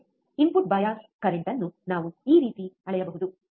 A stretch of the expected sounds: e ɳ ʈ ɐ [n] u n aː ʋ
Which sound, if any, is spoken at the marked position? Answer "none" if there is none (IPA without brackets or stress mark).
nː